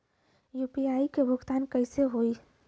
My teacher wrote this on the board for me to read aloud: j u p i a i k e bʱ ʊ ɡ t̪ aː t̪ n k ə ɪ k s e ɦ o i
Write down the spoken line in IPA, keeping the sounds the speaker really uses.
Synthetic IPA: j u p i a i k e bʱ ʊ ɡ t̪ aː n k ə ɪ s e ɦ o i